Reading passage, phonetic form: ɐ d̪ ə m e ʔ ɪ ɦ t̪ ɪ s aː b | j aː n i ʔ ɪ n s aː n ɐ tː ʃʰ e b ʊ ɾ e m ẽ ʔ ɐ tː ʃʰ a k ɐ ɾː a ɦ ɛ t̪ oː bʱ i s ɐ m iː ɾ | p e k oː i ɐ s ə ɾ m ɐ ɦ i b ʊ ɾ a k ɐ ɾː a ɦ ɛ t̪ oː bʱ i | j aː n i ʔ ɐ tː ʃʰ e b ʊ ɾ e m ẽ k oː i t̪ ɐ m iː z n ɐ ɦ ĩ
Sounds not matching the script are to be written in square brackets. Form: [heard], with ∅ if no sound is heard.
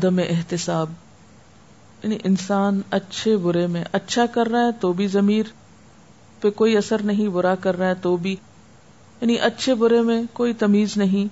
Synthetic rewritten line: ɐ d̪ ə m e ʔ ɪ ɦ t̪ ɪ s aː b | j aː n i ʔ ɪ n s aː n ɐ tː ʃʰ e b ʊ ɾ e m ẽ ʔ ɐ tː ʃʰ a k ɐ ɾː a ɦ ɛ t̪ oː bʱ i [z] ɐ m iː ɾ | p e k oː i ɐ s ə ɾ [n] ɐ ɦ [ĩ] b ʊ ɾ a k ɐ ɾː a ɦ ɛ t̪ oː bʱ i | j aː n i ʔ ɐ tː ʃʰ e b ʊ ɾ e m ẽ k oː i t̪ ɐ m iː z n ɐ ɦ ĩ